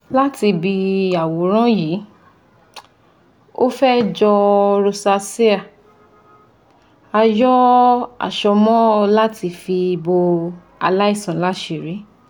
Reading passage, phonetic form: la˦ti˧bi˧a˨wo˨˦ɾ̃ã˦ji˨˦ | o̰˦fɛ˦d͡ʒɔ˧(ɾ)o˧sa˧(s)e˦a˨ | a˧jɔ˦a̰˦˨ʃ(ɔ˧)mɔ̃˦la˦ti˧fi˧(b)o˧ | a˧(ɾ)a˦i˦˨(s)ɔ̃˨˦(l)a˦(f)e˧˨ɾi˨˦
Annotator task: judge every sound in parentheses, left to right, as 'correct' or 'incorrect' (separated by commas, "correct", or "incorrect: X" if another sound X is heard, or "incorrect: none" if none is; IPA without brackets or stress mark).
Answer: correct, correct, correct, correct, incorrect: l, correct, correct, incorrect: ʃ